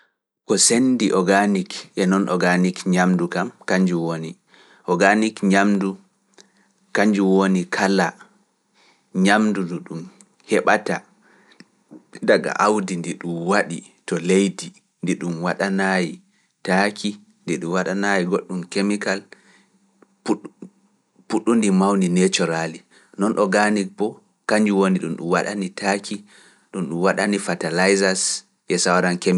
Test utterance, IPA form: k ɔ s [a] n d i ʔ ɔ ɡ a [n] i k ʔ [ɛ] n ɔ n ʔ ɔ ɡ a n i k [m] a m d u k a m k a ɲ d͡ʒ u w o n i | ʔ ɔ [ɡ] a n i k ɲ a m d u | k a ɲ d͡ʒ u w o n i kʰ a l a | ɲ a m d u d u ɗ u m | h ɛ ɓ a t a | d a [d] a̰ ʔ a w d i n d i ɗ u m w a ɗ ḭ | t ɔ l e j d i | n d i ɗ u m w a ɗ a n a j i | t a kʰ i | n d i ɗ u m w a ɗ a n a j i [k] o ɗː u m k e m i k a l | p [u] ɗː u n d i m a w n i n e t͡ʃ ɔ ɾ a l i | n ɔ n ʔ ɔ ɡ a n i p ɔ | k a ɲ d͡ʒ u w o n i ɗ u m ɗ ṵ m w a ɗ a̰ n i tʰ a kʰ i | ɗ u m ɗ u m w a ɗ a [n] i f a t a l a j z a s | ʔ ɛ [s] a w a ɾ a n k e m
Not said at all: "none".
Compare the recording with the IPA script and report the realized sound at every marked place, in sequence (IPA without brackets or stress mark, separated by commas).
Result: e, n, ɛ, ɲ, ɡ, ɡ, ɡ, u, n, s